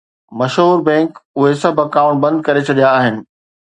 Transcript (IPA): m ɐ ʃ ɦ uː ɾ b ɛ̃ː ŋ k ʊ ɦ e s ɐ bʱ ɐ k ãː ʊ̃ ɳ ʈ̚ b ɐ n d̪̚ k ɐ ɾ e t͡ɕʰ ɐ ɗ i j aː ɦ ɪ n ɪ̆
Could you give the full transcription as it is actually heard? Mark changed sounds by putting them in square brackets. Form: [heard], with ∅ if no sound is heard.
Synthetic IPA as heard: m ɐ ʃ ɦ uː ɾ b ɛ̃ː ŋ k ʊ ɦ e s ɐ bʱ ɐ k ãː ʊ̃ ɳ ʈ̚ b [ɐ̃] n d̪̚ k ɐ ɾ e t͡ɕʰ ɐ ɗ i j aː ɦ ɪ n ɪ̆

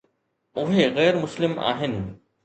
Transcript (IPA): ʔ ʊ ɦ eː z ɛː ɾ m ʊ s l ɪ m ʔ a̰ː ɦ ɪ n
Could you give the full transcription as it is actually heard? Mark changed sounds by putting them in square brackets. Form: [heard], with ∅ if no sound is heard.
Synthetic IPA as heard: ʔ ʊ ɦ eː [ɣ] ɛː ɾ m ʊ s l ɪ m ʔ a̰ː ɦ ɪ n

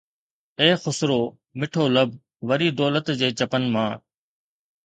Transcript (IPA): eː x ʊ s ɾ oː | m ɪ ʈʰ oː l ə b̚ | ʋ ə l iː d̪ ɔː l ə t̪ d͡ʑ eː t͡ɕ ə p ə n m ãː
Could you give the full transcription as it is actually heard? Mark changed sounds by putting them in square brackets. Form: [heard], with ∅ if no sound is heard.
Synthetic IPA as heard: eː x ʊ s ɾ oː | m ɪ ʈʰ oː l ə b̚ | ʋ ə [ɾ] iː d̪ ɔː l ə t̪ d͡ʑ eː t͡ɕ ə p ə n m ãː

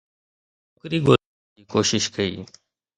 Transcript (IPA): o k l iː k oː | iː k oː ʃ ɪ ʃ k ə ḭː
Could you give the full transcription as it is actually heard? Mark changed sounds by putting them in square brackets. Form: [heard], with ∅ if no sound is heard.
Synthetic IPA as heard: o k [ɾ] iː [ɡ] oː | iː k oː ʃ ɪ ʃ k ə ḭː

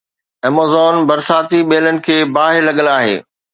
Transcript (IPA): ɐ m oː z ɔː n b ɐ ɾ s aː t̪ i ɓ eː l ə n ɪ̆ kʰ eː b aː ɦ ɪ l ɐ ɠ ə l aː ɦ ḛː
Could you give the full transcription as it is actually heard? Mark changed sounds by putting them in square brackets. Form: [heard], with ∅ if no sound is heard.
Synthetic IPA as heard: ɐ m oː z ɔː n b ɐ ɾ s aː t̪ i ɓ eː l ə n ɪ̆ kʰ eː b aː ɦ ɪ l ɐ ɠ ə l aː ɦ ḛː

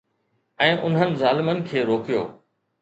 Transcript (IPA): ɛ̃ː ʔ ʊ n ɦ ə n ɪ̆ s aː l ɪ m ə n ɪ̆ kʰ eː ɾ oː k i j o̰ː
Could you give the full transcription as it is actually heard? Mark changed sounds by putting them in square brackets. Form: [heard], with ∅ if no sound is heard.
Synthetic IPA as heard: ɛ̃ː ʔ ʊ n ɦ ə n ɪ̆ [z] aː l ɪ m ə n ɪ̆ kʰ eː ɾ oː k i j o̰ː

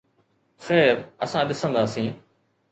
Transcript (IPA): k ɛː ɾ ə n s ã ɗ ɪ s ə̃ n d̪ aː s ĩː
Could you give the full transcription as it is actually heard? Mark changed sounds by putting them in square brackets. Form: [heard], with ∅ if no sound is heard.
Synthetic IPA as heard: [x] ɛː ɾ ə [∅] s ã ɗ ɪ s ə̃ n d̪ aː s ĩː

